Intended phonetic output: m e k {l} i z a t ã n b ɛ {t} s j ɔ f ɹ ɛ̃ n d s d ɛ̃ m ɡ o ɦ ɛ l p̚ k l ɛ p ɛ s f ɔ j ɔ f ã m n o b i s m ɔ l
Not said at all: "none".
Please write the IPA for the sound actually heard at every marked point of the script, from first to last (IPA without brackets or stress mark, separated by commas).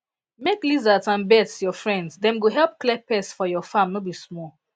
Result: l, t